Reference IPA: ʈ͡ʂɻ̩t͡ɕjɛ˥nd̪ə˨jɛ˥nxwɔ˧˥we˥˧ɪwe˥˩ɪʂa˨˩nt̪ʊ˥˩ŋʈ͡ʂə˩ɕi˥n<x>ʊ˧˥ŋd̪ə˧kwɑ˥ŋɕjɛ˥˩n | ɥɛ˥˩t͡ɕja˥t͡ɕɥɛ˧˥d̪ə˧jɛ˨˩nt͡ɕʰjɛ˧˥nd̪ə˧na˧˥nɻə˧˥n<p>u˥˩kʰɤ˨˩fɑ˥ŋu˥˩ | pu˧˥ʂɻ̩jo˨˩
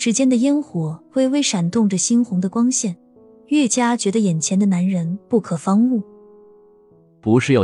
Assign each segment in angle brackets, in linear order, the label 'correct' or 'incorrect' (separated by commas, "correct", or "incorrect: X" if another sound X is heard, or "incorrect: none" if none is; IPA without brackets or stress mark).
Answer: correct, correct